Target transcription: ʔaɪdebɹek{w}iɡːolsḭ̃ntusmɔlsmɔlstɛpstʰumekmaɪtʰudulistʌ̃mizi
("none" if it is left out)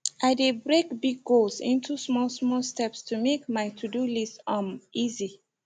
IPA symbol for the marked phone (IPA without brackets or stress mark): b